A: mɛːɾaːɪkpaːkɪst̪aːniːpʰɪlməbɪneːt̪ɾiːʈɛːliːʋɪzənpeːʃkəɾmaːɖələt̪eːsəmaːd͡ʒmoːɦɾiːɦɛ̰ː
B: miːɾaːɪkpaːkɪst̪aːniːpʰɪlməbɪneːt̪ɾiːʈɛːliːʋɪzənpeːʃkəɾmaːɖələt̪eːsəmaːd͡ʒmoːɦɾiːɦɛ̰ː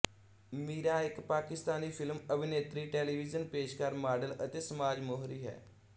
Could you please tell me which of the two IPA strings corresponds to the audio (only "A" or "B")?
B